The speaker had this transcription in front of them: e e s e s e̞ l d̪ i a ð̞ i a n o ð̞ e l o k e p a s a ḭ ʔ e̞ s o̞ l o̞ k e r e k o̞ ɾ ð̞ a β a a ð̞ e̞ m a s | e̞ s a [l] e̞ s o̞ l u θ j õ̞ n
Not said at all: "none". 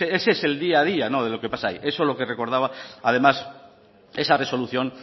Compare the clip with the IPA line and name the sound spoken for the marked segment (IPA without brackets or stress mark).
r